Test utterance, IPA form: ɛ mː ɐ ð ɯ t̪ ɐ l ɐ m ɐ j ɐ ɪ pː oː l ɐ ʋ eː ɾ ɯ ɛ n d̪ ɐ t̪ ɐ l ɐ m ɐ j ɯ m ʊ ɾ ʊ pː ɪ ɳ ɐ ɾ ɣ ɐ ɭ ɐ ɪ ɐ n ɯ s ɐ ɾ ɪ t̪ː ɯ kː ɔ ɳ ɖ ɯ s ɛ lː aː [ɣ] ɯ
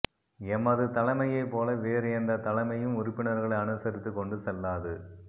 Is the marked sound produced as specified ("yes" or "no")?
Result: no